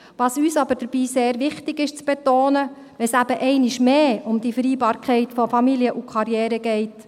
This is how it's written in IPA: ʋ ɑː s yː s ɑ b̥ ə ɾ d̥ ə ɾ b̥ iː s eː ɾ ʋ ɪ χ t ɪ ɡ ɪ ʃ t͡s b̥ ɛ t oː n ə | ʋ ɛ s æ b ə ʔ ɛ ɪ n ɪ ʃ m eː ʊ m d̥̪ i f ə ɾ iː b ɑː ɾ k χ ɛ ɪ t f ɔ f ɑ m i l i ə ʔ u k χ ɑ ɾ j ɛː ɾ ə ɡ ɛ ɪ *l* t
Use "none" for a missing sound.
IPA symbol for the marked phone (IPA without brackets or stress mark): none